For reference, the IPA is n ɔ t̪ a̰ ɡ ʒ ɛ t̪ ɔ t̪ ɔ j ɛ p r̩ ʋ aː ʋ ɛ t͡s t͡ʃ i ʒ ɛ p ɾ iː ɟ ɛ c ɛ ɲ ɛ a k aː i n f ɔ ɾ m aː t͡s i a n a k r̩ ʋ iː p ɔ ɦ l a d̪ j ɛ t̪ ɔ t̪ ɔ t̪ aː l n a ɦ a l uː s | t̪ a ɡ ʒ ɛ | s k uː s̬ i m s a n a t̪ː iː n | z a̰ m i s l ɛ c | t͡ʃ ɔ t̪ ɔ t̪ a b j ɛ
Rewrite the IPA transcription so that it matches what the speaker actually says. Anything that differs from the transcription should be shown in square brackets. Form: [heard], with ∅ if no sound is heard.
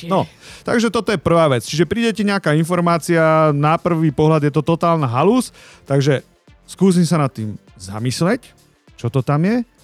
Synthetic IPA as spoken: n ɔ t̪ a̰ ɡ ʒ ɛ t̪ ɔ t̪ ɔ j ɛ p r̩ ʋ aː ʋ ɛ t͡s t͡ʃ i ʒ ɛ p ɾ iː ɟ ɛ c ɛ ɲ ɛ a k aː i n f ɔ ɾ m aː t͡s i a n a [p] r̩ ʋ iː p ɔ ɦ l a d̪ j ɛ t̪ ɔ t̪ ɔ t̪ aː l n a ɦ a l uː s | t̪ a ɡ ʒ ɛ | s k uː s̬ i m s a n a t̪ː iː [m] | z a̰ m i s l ɛ c | t͡ʃ ɔ t̪ ɔ t̪ a [m] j ɛ